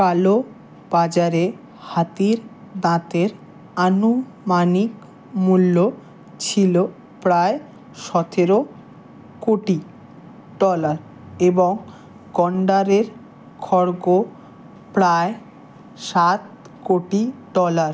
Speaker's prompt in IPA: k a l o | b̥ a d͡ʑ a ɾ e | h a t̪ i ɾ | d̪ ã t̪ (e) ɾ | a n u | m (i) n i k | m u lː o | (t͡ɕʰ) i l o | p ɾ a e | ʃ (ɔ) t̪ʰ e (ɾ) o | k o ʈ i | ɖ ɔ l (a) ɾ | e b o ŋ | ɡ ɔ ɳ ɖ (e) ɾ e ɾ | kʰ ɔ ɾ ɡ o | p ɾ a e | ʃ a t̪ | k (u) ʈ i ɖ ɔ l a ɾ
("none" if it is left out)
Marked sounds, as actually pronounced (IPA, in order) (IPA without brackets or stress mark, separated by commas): e, a, t͡ɕʰ, ɔ, ɾ, a, a, o